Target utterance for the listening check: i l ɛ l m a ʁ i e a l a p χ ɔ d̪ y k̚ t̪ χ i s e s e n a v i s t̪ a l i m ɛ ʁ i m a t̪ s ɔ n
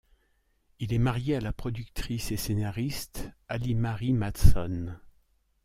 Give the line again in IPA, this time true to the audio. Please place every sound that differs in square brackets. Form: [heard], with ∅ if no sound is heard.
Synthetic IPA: i l ɛ [∅] m a ʁ [j] e a l a p χ ɔ d̪ y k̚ t̪ χ i s e s e n a [ʁ] i s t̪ a l i m [a] ʁ i m a t̪ s ɔ n